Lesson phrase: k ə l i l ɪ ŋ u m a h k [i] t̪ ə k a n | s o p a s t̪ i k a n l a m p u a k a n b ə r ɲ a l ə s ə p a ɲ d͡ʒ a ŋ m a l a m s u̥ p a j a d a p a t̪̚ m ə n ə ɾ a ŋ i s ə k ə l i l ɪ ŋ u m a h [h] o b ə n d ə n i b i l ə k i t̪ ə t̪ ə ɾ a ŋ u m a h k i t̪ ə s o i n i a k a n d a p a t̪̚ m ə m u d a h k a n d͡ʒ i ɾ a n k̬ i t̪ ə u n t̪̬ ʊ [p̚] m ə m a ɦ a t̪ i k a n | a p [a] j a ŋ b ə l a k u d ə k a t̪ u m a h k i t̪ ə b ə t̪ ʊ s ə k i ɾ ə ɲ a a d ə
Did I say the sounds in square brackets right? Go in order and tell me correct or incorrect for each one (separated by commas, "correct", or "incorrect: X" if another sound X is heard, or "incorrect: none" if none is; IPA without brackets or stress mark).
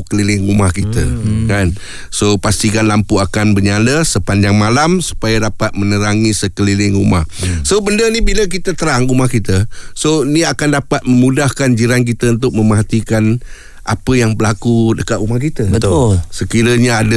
correct, incorrect: s, incorrect: k̚, incorrect: ə